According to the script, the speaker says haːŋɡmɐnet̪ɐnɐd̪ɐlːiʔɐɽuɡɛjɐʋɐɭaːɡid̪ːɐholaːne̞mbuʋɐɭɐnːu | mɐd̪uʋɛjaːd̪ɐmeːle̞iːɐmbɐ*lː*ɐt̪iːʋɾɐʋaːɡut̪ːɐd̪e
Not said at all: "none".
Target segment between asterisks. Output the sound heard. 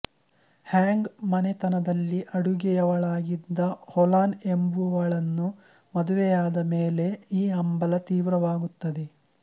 l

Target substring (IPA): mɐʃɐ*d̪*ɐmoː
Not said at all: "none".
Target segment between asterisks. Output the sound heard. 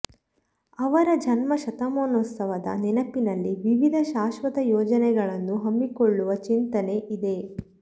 t̪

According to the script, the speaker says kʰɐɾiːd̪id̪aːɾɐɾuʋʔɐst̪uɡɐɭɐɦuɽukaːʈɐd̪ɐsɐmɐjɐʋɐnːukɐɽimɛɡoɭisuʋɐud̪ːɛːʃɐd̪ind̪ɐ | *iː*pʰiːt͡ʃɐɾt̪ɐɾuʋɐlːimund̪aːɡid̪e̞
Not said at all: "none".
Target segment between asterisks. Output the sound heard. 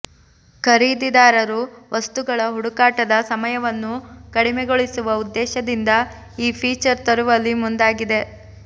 iː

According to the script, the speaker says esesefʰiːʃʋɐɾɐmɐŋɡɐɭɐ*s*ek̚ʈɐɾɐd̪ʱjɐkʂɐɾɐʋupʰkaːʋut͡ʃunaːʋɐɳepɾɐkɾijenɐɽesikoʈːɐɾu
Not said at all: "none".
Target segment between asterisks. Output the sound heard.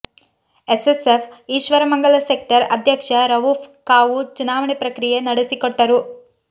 s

